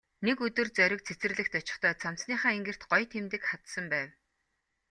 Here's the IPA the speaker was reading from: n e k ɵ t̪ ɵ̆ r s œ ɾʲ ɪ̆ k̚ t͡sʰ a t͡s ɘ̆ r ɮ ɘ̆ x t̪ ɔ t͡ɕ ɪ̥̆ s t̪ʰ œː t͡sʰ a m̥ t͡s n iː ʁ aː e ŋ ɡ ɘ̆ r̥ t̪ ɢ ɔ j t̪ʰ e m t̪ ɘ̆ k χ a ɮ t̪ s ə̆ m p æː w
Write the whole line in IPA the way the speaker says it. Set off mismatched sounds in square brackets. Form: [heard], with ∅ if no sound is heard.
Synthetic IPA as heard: n e k ɵ t̪ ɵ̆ r [t͡s] œ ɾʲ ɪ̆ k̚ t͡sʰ [e] t͡s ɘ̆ r ɮ ɘ̆ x t̪ ɔ t͡ɕ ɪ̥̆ [χ] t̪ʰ œː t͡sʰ a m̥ t͡s n iː [χ] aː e ŋ ɡ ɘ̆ r̥ t̪ ɢ ɔ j t̪ʰ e m t̪ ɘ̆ k χ a [∅] t̪ s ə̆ m p æː w